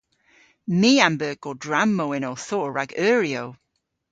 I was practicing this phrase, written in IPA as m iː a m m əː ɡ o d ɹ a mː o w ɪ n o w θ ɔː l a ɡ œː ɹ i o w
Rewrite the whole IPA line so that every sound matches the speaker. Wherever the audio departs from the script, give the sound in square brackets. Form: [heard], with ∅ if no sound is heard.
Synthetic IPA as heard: m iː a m [b] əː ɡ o d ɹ a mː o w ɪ n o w θ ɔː [ɹ] a ɡ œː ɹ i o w